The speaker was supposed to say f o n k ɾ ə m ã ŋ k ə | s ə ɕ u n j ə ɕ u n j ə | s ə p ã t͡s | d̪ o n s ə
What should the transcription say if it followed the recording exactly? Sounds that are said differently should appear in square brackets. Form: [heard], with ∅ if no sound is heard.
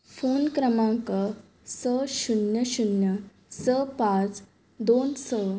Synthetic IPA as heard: f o n k ɾ ə m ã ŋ k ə | s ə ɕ u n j ə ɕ u n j ə | s ə p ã t͡s | d̪ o n s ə